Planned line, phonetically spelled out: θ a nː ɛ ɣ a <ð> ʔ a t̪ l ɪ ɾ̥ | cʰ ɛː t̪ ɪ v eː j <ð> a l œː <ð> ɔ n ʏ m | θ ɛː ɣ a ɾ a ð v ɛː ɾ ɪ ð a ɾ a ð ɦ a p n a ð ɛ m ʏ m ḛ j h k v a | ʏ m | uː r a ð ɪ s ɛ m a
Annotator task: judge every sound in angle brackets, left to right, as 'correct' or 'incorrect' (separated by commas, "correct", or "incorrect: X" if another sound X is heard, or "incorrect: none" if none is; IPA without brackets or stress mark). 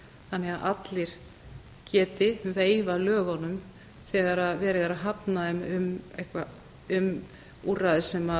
correct, incorrect: v, incorrect: ɣ